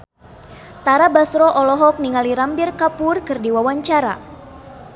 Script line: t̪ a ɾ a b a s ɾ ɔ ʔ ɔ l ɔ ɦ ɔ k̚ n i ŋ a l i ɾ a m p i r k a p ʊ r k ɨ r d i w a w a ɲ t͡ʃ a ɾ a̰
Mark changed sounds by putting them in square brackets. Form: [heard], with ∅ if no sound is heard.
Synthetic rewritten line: t̪ a ɾ a b a s ɾ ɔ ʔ ɔ l ɔ ɦ ɔ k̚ n i ŋ a l i ɾ a m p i r k a p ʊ r k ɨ r d i w a w a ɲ t͡ʃ a ɾ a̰